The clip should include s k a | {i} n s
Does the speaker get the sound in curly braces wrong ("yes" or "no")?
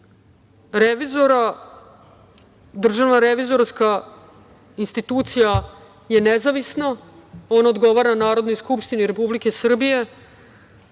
no